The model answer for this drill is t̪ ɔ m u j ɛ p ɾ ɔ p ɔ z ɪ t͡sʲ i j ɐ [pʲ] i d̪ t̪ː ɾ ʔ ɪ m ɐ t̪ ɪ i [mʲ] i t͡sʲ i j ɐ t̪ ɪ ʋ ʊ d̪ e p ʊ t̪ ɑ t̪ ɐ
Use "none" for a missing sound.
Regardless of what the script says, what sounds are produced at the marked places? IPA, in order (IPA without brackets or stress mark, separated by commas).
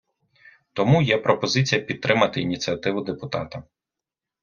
pʲ, nʲ